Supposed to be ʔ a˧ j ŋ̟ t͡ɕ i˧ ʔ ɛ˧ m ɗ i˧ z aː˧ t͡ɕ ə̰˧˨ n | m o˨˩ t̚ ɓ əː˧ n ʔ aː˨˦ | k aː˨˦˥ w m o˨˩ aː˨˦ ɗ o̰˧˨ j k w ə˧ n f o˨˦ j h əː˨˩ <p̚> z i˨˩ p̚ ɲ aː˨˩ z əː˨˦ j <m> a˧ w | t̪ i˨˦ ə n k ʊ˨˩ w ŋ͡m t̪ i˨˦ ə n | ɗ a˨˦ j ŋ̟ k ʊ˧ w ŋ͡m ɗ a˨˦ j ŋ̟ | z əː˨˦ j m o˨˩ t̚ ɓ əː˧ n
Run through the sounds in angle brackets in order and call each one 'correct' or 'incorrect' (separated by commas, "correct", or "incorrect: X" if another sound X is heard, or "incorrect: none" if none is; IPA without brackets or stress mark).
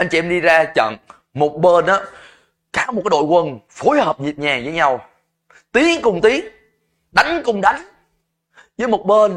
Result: correct, incorrect: ɲ